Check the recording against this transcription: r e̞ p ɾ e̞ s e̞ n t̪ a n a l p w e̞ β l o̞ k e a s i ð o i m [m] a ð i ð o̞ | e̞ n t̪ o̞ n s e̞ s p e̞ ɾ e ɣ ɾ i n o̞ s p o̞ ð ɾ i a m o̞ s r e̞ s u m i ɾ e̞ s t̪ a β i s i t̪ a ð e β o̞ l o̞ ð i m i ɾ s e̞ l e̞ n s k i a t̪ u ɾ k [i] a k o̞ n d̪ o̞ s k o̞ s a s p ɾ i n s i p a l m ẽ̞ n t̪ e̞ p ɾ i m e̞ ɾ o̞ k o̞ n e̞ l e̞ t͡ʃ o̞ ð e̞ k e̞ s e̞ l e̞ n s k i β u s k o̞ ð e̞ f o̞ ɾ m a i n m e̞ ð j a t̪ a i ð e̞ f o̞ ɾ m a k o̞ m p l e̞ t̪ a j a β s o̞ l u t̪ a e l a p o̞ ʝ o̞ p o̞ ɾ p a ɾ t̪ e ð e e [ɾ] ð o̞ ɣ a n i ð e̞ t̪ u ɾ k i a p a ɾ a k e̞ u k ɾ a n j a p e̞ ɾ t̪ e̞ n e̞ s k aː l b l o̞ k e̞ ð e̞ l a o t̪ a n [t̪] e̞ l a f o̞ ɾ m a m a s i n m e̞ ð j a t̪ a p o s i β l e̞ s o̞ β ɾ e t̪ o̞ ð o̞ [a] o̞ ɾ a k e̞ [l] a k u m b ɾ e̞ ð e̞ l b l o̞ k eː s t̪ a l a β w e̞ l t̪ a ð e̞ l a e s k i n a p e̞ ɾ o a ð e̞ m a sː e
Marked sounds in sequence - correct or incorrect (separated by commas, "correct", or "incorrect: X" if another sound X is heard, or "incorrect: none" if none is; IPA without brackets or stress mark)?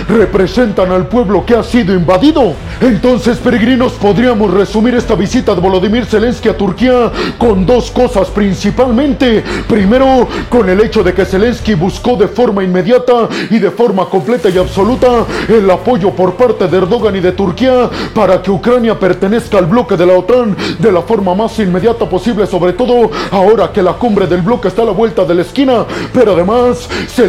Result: incorrect: b, correct, correct, incorrect: d̪, correct, correct